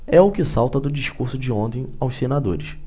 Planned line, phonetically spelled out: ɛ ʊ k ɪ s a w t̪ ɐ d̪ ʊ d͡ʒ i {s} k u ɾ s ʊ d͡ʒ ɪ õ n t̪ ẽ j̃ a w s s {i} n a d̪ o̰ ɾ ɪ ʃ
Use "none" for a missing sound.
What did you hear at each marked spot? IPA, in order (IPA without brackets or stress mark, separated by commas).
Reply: ʃ, e